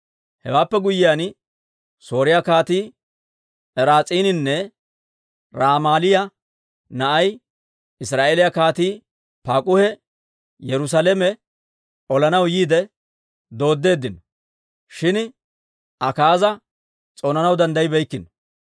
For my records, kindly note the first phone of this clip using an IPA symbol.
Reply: h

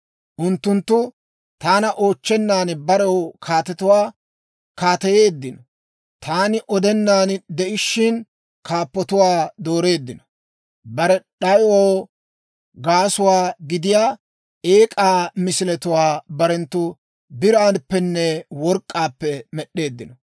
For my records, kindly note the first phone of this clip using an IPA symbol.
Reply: ʔ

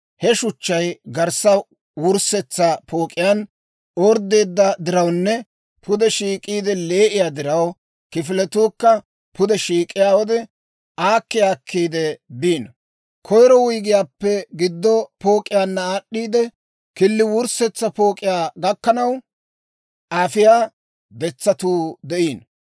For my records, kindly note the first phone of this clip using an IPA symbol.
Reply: h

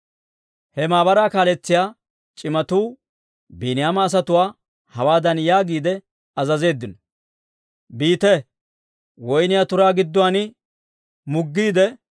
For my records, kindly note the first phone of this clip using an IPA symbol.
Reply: h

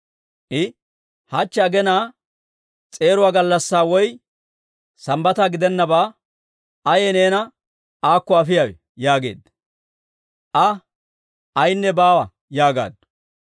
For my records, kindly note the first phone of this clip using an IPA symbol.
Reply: ʔ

